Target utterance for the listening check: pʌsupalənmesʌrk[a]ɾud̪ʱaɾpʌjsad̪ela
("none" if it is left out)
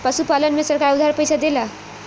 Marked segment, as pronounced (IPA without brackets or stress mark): a